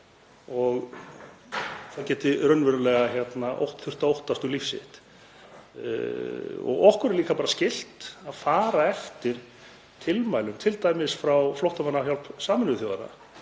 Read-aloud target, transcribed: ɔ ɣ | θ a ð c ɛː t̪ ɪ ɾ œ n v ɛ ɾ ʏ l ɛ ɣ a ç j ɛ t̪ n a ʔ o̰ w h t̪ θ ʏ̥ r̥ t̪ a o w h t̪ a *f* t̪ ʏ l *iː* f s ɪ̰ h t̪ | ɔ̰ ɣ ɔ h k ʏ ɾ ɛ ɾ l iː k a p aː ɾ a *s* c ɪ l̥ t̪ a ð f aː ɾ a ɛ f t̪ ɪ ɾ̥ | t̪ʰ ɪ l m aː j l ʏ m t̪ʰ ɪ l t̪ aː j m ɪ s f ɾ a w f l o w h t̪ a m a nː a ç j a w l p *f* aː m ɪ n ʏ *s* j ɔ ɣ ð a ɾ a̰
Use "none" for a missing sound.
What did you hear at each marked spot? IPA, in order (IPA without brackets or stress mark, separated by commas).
s, i, s, s, θ